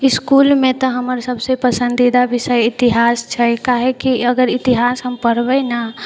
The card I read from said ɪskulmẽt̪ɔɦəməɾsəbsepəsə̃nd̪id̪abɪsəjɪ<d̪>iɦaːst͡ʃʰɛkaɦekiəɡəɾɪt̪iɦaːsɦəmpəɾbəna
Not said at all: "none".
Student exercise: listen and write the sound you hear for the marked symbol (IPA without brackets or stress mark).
t̪